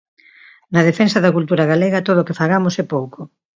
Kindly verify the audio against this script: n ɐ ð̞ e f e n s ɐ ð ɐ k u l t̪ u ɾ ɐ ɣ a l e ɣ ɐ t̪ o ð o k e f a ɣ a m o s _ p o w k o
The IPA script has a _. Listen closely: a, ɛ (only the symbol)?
ɛ